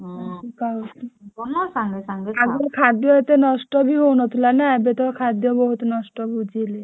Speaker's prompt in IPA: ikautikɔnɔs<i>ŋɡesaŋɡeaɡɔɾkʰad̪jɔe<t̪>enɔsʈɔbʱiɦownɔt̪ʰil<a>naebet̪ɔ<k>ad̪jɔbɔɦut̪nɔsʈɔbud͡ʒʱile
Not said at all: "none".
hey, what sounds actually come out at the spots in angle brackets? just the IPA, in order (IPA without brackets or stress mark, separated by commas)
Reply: a, t̪, a, kʰ